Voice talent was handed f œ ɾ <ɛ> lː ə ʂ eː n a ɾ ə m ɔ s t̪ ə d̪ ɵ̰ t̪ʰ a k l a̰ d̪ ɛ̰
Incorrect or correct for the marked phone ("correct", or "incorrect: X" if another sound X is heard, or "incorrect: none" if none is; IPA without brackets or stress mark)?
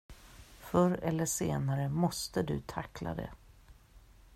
correct